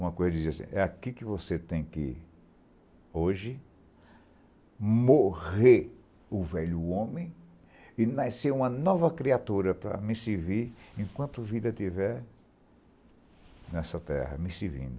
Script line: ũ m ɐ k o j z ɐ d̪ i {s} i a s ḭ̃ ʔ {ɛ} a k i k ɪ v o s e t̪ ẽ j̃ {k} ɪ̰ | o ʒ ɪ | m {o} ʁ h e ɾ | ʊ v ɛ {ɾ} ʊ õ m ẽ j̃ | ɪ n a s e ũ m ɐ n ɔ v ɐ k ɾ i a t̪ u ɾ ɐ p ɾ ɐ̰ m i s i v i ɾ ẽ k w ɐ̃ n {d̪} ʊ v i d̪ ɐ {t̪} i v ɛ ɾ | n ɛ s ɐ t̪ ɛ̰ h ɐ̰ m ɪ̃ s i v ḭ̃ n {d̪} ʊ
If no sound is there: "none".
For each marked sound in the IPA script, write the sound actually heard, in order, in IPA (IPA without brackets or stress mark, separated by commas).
z, ɛ, k, o, ʎ, t̪, t̪, d̪